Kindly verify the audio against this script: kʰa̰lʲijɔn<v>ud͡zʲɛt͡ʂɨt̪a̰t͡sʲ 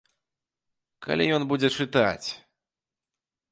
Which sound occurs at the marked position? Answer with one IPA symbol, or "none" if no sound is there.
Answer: b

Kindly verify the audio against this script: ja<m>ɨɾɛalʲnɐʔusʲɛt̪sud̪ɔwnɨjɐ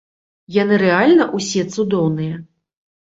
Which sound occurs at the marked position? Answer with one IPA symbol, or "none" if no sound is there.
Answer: n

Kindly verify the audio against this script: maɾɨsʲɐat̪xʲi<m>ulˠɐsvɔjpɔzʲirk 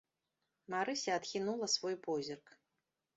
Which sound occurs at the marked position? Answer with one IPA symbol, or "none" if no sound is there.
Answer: n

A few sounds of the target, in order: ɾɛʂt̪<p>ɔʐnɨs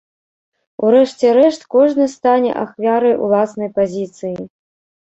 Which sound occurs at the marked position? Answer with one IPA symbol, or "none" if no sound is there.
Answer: k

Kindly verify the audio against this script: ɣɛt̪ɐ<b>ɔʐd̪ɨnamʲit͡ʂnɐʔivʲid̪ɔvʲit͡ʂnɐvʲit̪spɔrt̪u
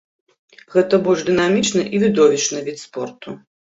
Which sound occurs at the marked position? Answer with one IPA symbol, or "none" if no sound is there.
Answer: b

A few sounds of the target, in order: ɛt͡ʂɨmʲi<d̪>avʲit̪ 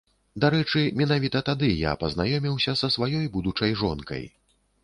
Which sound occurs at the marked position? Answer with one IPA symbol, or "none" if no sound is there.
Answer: n̪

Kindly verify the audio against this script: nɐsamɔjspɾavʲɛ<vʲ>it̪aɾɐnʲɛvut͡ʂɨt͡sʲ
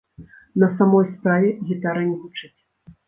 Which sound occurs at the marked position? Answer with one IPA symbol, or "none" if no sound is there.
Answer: ɣʲ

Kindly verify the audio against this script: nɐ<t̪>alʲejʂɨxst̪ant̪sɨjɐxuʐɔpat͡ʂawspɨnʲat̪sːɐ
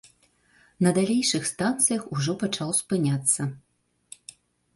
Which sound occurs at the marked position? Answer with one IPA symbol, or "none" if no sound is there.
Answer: d̪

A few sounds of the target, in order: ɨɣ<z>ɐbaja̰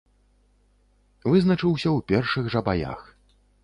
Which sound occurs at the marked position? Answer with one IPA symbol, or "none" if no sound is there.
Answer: ʐ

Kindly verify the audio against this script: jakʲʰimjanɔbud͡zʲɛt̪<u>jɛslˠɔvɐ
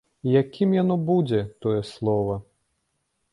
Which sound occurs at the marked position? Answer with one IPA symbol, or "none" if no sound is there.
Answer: ɔ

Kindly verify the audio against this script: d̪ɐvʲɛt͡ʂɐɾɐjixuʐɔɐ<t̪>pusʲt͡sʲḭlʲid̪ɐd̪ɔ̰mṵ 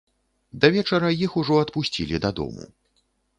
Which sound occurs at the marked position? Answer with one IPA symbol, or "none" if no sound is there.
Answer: t̪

